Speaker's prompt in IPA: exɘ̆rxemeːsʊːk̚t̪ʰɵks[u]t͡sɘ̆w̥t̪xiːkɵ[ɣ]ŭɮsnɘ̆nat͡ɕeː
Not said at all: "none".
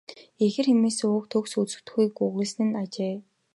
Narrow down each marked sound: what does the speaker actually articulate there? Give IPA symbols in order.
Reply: u, ɣ

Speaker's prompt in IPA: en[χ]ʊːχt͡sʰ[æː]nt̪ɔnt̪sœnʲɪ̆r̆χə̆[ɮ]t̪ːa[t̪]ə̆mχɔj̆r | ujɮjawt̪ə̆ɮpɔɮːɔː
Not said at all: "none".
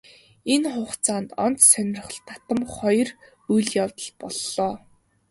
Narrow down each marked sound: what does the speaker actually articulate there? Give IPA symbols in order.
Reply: χ, aː, ɮ, t̪

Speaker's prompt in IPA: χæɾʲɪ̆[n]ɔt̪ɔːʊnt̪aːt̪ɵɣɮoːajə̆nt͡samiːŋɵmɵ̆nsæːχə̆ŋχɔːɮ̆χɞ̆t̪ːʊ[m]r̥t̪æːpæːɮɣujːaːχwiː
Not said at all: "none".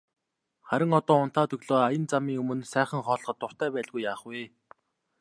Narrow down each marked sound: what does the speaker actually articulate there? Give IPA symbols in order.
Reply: ŋ, none

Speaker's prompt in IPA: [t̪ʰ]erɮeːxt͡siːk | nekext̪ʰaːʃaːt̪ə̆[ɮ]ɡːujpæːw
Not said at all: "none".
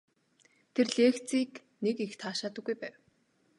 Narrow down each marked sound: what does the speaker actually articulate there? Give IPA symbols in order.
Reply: t̪ʰ, none

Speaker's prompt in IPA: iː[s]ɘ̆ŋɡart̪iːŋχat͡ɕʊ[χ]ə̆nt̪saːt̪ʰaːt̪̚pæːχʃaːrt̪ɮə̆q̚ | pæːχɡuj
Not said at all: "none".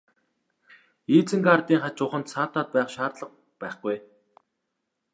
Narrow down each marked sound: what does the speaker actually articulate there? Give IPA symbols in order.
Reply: t͡s, χ

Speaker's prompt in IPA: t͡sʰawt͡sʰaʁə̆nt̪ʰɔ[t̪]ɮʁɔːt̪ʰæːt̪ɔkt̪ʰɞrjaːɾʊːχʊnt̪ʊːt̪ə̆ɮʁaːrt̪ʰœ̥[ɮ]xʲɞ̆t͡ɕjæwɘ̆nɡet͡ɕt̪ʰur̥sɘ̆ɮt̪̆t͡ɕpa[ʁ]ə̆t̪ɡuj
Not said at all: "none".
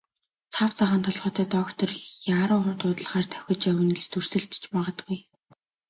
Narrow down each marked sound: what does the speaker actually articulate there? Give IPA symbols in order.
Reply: none, none, ʁ

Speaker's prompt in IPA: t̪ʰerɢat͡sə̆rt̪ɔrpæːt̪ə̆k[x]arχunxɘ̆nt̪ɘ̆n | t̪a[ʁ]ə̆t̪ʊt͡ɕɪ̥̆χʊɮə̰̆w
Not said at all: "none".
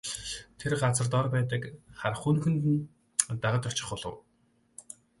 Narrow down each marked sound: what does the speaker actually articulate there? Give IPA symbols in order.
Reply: χ, ʁ

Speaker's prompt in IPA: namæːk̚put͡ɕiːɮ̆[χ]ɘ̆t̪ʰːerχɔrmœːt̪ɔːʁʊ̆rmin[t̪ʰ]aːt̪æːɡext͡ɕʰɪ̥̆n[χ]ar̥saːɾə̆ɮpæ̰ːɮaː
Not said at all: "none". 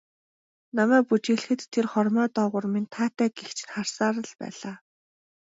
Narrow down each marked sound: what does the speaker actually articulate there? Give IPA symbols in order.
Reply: x, t̪ʰ, χ

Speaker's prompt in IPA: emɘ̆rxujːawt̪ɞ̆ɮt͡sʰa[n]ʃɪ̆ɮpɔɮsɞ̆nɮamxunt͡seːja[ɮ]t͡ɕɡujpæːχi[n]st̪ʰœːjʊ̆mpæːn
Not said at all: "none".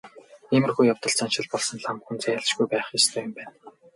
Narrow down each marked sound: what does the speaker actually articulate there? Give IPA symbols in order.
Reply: n, ɮ, none

